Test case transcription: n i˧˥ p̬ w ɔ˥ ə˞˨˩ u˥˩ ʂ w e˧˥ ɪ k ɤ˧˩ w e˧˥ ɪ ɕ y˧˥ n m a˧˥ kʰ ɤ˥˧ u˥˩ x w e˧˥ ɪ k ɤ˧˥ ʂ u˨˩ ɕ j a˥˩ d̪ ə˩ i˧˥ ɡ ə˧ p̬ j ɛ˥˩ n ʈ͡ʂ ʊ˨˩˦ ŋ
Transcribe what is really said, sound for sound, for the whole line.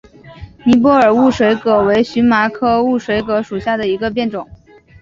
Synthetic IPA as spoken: n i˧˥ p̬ w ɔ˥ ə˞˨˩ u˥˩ ʂ w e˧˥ ɪ k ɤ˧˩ w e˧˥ ɪ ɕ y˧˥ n m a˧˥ kʰ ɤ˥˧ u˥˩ ʂ w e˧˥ ɪ k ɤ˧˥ ʂ u˨˩ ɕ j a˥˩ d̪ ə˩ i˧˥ ɡ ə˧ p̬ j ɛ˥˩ n ʈ͡ʂ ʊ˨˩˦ ŋ

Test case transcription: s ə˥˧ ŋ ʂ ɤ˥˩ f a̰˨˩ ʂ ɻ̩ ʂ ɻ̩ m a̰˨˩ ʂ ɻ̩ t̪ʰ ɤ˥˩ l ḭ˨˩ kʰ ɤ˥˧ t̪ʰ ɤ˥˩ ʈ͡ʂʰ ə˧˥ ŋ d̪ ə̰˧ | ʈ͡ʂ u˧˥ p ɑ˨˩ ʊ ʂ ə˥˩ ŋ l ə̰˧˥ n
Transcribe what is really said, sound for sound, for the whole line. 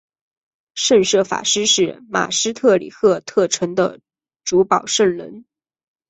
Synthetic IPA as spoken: ʂ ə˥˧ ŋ ʂ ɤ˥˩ f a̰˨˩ ʂ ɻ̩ ʂ ɻ̩ m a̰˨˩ ʂ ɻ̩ t̪ʰ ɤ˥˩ l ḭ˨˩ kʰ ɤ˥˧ t̪ʰ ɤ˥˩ ʈ͡ʂʰ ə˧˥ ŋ d̪ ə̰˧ | ʈ͡ʂ u˧˥ p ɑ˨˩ ʊ ʂ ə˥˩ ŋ l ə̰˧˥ n

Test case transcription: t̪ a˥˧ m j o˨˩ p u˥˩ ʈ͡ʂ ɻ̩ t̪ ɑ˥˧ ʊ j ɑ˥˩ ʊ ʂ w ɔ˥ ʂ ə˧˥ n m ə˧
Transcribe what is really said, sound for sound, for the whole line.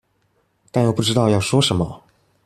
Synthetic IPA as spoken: t̪ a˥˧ n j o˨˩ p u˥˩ ʈ͡ʂ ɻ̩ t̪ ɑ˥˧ ʊ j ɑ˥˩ ʊ ʂ w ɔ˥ ʂ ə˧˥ n m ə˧

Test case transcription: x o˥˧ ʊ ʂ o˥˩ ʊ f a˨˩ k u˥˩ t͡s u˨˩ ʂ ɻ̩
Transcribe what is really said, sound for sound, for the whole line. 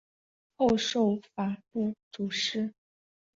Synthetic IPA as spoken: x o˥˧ ʊ ʂ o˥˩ ʊ f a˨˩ p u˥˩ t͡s u˨˩ ʂ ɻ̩

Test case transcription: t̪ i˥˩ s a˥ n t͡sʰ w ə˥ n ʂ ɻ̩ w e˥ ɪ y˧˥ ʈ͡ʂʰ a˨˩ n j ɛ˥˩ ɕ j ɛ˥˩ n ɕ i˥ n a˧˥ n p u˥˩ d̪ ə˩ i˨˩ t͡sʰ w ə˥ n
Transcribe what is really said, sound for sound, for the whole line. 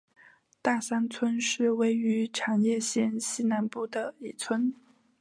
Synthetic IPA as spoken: t̪ a˥˩ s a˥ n t͡sʰ w ə˥ n ʂ ɻ̩ w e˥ ɪ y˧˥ ʈ͡ʂʰ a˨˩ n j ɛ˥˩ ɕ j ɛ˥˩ n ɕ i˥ n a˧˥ n p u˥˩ d̪ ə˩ i˨˩ t͡sʰ w ə˥ n

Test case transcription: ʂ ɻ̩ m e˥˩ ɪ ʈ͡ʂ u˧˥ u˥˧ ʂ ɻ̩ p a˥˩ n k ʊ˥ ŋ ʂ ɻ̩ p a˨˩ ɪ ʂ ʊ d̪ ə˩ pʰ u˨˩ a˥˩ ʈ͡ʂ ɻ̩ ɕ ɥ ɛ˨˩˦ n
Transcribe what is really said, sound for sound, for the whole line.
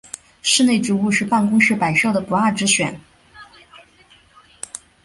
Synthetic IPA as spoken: ʂ ɻ̩ n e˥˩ ɪ ʈ͡ʂ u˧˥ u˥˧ ʂ ɻ̩ p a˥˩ n k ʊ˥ ŋ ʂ ɻ̩ p a˨˩ ɪ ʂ ʊ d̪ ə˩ p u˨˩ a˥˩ ʈ͡ʂ ɻ̩ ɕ ɥ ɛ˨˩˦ n

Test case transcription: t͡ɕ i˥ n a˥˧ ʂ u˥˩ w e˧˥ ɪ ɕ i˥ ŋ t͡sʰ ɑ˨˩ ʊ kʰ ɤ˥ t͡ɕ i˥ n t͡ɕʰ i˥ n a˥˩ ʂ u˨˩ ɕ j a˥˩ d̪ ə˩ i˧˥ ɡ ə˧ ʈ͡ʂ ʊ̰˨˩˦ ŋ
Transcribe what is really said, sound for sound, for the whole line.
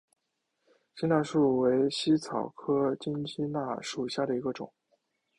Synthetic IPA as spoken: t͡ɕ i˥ n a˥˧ ʂ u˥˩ w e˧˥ ɪ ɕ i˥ t͡sʰ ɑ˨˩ ʊ kʰ ɤ˥ t͡ɕ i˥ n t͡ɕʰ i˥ n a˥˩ ʂ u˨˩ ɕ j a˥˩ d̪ ə˩ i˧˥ ɡ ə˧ ʈ͡ʂ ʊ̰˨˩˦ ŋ

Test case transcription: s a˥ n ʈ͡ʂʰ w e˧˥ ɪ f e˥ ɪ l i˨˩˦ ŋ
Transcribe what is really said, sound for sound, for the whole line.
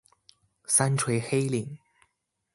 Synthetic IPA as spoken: s a˥ n ʈ͡ʂʰ w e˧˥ ɪ x e˥ ɪ l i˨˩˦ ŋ

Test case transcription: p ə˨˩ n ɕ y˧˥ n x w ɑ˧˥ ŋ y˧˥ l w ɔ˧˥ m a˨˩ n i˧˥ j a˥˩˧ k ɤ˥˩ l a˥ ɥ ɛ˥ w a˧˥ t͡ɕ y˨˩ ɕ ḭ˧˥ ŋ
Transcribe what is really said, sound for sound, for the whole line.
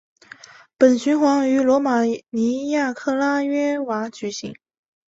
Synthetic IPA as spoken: p ə˨˩ n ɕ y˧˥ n x w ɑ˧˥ ŋ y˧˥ l w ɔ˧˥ m a˨˩ n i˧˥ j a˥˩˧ kʰ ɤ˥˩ l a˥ ɥ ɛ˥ w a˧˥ t͡ɕ y˨˩ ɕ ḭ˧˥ ŋ

